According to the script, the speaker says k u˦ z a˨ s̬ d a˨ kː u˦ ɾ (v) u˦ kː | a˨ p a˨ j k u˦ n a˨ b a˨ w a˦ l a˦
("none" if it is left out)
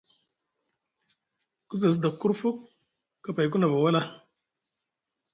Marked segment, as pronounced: f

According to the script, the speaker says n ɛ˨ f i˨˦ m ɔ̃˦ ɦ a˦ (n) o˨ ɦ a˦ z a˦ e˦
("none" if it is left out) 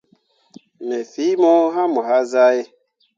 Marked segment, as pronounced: m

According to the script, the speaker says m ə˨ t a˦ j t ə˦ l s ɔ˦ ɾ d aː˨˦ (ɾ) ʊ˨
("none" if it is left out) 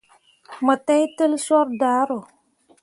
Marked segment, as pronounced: ɾ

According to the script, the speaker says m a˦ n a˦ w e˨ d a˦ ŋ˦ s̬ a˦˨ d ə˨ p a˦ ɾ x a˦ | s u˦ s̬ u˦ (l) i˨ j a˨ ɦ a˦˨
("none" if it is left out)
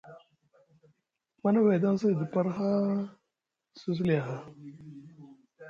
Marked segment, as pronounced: l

